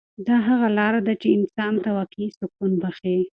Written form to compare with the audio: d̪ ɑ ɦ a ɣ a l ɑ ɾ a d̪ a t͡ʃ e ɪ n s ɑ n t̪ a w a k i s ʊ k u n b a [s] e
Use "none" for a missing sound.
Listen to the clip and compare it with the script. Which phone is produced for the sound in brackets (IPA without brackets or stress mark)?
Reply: x